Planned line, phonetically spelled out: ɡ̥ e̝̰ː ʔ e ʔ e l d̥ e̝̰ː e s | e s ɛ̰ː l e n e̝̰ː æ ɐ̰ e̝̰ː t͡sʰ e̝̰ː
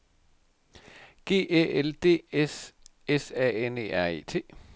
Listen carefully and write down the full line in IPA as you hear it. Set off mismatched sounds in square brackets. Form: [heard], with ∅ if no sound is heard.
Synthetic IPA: ɡ̥ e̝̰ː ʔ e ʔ e l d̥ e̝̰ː e s | e s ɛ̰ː [∅] e n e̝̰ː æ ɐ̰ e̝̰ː t͡sʰ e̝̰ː